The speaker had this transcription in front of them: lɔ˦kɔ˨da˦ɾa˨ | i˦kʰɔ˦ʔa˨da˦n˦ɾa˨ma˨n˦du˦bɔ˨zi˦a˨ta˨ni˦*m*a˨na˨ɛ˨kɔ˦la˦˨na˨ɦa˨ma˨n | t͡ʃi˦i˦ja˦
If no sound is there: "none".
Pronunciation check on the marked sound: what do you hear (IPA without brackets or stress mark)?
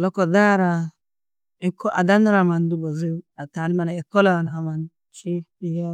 m